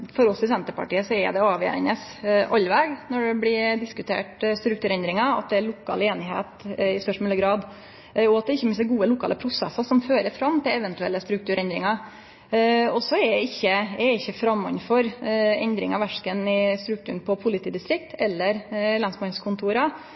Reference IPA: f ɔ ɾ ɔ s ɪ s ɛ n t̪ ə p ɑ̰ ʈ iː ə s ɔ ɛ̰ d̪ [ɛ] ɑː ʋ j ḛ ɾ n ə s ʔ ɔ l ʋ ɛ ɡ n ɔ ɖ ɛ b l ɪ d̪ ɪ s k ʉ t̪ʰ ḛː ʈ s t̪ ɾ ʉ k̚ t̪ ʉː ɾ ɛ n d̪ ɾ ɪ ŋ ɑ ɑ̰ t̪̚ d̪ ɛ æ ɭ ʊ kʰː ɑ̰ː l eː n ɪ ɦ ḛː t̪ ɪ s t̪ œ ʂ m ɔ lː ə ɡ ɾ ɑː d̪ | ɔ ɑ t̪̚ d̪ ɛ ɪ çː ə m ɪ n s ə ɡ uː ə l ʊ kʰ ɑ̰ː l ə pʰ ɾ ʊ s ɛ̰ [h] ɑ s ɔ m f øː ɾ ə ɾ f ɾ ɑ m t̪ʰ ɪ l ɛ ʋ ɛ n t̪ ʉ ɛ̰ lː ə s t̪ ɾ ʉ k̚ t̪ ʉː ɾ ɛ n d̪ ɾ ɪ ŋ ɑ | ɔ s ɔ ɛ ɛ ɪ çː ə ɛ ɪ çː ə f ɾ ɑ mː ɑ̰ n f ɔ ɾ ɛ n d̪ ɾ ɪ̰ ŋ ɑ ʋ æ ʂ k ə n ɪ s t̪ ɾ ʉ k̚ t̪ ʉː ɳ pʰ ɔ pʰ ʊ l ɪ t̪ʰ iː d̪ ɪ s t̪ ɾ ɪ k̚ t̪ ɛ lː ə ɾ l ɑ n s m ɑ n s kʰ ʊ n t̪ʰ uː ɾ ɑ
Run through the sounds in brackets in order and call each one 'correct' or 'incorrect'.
correct, incorrect

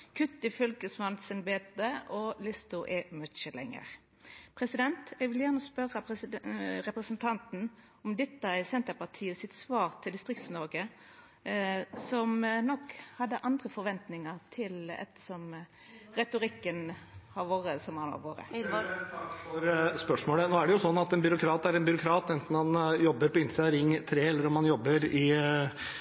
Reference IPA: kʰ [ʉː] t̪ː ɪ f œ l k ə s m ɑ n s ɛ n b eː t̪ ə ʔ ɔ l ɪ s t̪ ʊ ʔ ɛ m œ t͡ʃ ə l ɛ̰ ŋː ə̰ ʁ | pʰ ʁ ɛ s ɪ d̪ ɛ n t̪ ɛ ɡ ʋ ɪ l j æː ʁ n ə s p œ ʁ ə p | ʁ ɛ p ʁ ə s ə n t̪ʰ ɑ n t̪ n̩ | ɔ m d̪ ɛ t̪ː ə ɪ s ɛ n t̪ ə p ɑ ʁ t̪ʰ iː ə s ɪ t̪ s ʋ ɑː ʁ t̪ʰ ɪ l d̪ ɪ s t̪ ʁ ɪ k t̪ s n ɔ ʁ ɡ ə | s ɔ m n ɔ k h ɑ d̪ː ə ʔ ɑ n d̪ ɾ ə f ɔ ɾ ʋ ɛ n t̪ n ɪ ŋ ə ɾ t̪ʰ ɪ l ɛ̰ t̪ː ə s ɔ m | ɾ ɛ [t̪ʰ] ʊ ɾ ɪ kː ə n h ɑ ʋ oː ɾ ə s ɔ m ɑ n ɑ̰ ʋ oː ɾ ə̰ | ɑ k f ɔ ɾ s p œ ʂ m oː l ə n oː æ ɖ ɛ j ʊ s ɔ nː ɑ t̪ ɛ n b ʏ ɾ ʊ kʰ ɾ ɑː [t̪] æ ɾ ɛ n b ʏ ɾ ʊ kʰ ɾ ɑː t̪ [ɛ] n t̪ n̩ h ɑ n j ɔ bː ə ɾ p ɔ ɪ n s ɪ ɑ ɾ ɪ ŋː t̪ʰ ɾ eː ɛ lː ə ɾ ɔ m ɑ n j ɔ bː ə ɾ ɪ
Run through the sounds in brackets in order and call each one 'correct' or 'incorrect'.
incorrect, incorrect, correct, correct

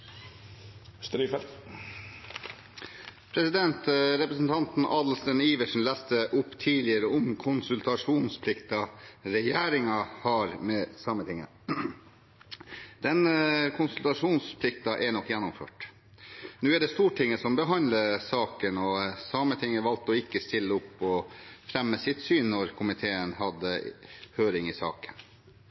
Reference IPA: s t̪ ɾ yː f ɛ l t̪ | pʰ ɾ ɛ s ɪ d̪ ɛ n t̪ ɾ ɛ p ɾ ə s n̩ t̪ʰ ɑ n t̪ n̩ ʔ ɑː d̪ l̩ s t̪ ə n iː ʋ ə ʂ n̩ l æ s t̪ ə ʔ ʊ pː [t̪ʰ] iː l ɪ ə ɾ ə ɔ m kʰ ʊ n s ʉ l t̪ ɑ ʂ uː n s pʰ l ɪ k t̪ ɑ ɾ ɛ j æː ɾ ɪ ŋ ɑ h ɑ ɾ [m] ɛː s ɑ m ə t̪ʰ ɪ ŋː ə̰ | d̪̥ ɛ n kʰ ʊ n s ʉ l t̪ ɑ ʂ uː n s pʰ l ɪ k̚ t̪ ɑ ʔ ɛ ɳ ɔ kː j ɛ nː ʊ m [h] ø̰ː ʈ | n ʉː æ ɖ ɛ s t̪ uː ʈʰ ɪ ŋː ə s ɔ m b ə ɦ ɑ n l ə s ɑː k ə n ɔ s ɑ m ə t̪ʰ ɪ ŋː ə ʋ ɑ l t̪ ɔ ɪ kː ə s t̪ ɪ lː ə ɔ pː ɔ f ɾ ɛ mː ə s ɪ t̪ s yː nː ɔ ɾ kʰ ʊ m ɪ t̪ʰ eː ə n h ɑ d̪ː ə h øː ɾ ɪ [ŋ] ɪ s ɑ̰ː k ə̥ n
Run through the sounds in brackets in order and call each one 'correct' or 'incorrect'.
correct, correct, incorrect, correct

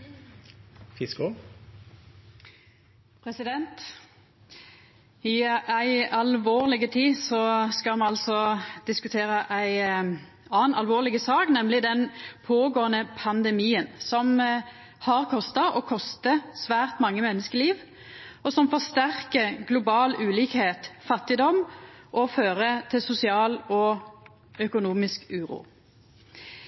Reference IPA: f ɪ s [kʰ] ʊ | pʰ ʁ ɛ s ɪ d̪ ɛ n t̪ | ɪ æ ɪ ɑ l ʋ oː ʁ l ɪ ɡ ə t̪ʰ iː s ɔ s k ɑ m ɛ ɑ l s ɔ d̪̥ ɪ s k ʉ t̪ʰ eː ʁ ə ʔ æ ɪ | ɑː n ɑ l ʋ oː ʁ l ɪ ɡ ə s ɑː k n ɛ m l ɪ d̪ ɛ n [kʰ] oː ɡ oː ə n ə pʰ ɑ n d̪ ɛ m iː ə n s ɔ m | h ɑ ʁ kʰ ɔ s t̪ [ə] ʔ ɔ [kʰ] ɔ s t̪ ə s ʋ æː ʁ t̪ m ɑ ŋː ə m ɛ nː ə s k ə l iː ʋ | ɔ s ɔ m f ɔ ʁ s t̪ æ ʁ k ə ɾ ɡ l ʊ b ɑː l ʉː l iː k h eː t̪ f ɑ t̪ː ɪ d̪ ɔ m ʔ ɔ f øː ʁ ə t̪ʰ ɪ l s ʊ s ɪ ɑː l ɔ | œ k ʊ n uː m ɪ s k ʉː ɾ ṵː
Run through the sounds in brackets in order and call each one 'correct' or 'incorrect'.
incorrect, incorrect, incorrect, correct

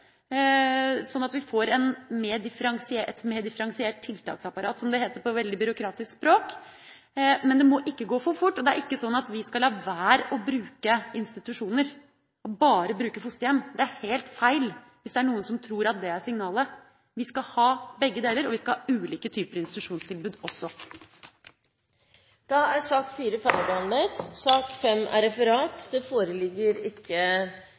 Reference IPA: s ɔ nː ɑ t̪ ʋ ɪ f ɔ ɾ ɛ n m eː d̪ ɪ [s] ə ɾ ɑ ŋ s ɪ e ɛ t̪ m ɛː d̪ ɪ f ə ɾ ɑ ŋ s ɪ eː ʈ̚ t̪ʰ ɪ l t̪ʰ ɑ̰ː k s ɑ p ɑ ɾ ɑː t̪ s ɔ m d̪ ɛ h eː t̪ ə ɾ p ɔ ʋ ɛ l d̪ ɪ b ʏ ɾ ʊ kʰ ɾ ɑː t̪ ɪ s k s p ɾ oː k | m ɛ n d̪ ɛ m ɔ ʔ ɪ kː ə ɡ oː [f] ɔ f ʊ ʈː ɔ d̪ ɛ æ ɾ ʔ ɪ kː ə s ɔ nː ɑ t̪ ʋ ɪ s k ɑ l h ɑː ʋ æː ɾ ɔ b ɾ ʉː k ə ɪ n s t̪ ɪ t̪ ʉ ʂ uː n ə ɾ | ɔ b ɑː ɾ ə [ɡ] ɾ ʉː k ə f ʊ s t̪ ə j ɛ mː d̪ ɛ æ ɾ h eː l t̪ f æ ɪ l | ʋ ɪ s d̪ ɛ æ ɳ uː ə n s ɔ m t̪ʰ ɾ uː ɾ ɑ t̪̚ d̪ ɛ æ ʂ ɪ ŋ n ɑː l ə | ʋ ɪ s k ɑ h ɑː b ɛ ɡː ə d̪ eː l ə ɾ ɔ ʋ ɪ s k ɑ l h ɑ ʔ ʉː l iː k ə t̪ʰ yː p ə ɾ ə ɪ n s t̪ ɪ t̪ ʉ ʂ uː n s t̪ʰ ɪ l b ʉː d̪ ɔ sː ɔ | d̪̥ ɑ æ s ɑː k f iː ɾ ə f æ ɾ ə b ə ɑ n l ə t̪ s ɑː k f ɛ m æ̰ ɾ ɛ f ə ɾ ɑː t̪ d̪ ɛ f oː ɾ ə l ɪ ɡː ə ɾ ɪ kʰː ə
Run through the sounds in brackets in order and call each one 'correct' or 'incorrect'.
incorrect, correct, incorrect

